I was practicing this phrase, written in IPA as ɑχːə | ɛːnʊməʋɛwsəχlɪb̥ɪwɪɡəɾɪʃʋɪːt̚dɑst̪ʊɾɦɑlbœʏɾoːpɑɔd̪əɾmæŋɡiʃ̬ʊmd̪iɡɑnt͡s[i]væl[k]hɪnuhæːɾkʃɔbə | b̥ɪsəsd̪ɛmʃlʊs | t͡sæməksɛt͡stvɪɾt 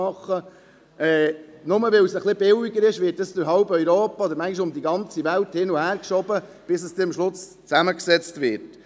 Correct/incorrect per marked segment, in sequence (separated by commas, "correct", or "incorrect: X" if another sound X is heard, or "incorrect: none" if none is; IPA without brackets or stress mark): correct, incorrect: t